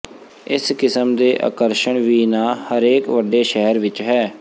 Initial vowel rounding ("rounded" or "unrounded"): unrounded